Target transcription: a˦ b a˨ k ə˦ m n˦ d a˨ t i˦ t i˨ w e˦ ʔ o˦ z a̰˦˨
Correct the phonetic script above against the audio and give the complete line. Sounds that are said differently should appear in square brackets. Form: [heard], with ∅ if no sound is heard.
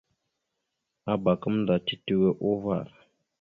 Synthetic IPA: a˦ b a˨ k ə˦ m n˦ d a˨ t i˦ t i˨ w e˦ ʔ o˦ [v] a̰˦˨